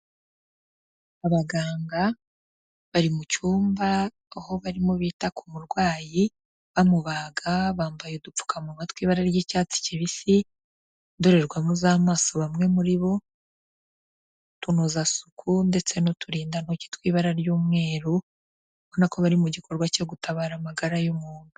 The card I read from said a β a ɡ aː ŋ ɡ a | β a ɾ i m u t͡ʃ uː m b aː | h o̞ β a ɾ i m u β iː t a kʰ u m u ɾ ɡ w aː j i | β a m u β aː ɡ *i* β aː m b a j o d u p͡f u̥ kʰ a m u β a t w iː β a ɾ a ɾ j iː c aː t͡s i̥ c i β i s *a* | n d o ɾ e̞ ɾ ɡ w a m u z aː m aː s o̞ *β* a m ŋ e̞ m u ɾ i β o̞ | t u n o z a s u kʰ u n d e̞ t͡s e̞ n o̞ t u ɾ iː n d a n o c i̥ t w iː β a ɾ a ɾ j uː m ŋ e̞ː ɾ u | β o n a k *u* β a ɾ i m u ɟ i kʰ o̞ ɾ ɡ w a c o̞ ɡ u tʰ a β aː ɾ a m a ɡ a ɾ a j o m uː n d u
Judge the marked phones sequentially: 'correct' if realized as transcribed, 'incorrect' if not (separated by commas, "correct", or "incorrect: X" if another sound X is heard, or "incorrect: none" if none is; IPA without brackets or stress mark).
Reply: incorrect: a, incorrect: i, correct, incorrect: o